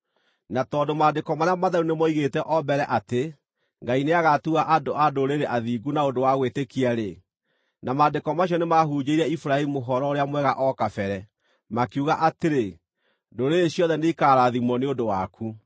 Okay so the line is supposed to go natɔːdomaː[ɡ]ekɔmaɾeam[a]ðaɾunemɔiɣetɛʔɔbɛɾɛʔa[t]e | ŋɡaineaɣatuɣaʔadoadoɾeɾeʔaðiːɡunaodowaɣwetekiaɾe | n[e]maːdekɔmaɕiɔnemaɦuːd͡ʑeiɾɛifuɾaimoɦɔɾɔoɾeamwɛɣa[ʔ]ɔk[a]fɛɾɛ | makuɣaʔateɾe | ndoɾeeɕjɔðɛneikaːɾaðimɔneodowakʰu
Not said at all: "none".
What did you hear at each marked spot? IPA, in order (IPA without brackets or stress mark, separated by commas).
d, a, t, a, ʔ, a